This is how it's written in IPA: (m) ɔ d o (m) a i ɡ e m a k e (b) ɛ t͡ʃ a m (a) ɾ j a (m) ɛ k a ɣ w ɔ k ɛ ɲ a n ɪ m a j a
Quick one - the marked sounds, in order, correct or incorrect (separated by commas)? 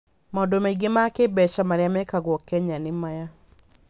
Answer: correct, correct, correct, correct, correct